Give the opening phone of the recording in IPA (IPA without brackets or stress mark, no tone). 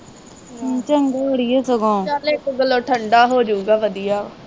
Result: t͡ʃ